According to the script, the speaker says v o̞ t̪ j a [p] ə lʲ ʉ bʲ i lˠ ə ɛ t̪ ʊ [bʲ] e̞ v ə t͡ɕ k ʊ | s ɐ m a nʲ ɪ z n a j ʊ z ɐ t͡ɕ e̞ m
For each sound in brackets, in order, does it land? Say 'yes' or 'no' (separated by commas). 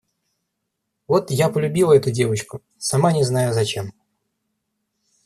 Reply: yes, no